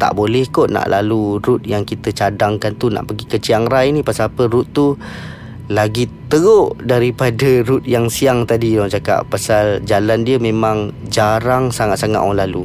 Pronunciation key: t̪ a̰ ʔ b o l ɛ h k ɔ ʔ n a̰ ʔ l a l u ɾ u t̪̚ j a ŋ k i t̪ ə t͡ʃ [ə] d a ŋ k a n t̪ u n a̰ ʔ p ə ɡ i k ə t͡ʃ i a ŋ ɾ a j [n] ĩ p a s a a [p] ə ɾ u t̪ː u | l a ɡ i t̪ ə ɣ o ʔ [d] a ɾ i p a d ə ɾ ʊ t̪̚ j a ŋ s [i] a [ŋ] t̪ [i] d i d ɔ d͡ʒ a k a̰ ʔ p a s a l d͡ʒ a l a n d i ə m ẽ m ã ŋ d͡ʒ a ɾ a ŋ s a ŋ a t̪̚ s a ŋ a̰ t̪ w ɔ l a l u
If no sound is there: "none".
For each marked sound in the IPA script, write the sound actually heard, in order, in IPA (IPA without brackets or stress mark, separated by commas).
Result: a, n, p, d, i, ŋ, a